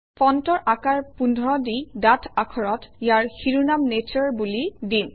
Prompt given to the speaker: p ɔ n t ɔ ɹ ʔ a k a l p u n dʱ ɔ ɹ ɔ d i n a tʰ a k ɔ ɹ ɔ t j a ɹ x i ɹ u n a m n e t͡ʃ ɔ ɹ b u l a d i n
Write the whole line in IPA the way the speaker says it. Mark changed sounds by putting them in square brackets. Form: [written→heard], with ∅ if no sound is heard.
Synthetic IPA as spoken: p ɔ n t ɔ ɹ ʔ a k a [l→ɹ] p u n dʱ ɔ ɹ ɔ d i [n→d] a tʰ a [k→kʰ] ɔ ɹ ɔ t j a ɹ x i ɹ u n a m n e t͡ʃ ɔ ɹ b u l [a→i] d i n